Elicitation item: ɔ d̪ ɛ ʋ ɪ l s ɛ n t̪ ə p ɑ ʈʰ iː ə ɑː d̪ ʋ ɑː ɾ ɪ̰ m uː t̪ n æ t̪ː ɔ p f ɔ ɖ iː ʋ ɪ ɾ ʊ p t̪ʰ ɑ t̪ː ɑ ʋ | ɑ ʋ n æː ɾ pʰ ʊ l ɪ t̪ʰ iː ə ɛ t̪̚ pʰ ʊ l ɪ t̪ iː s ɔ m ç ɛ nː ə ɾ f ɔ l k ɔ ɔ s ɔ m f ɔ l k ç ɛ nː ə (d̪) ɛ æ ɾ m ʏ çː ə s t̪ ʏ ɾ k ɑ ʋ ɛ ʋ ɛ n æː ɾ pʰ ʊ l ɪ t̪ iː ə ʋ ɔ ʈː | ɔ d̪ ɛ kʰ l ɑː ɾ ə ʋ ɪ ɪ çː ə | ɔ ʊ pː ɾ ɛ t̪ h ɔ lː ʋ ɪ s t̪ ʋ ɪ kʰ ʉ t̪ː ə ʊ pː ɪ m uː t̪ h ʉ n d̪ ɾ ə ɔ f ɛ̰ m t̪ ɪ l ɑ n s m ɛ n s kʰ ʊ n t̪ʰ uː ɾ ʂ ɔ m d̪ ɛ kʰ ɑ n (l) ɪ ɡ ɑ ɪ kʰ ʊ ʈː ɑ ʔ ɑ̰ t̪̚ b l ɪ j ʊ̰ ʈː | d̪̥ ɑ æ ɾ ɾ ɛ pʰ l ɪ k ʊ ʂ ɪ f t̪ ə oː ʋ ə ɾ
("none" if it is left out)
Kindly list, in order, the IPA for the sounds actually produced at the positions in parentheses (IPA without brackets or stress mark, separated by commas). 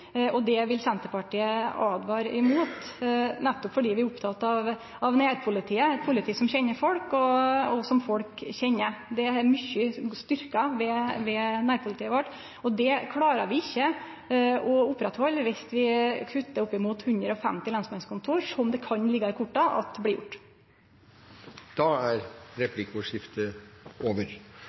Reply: d̪, l